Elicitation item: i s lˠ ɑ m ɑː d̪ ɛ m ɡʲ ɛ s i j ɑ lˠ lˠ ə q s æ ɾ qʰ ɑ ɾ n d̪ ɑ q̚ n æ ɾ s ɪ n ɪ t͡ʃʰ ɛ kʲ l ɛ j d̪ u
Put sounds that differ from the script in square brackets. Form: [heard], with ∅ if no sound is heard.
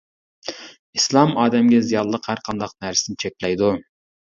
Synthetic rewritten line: i s lˠ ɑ m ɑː d̪ ɛ m ɡʲ ɛ [z] i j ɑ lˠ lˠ ə q [h] æ ɾ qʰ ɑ [∅] n d̪ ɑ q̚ n æ ɾ s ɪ n ɪ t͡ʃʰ ɛ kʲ l ɛ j d̪ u